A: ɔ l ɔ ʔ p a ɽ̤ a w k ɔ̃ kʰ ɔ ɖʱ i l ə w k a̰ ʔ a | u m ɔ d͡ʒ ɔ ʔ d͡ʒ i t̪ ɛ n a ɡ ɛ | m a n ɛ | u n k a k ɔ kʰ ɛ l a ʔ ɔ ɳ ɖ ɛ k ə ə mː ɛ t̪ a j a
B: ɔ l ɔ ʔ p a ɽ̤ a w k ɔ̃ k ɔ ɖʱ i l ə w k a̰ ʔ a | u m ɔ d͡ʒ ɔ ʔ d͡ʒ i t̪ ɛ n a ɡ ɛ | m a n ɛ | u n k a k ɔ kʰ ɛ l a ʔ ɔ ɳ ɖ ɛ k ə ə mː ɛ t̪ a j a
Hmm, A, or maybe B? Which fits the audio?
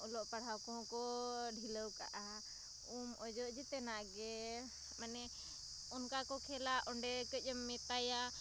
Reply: B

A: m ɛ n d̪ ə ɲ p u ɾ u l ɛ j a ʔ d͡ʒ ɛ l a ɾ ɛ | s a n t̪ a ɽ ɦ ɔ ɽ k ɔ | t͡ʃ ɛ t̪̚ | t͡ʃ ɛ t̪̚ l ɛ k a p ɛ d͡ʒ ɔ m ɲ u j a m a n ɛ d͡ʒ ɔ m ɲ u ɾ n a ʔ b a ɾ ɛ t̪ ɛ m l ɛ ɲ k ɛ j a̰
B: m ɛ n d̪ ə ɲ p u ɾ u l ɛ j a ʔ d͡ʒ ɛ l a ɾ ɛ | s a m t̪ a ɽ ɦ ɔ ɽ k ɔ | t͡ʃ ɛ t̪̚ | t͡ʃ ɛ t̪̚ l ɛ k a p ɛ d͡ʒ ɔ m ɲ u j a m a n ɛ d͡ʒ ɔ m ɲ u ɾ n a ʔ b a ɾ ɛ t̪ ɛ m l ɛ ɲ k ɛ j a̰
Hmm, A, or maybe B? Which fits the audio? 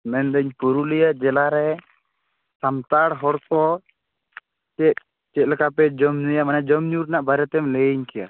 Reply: B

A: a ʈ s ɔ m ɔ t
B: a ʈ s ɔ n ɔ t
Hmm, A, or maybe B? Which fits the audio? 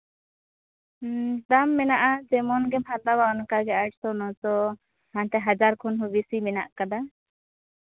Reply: B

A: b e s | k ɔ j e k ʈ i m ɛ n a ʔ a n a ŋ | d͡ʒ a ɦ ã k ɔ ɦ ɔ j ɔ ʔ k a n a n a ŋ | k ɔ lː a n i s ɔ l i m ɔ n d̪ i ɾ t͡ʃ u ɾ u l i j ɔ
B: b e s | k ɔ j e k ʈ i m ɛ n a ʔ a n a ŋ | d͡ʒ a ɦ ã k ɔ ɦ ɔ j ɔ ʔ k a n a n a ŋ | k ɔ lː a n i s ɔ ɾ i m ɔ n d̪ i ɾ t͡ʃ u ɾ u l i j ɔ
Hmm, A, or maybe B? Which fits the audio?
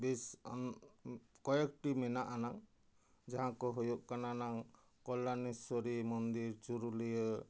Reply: B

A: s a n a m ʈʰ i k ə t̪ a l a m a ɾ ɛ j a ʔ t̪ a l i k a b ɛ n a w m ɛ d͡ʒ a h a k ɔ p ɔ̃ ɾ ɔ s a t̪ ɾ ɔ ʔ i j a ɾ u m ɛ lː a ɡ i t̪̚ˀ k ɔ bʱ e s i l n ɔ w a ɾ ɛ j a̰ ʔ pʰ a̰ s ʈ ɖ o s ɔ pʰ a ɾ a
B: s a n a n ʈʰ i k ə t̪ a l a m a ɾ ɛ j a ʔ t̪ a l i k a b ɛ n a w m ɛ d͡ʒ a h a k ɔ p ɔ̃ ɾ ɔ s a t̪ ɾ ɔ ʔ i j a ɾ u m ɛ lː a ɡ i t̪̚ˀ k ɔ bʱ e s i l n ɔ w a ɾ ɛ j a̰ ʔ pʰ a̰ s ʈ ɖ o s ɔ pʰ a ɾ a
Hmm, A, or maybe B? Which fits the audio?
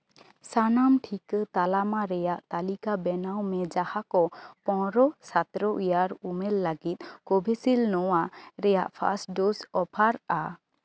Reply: A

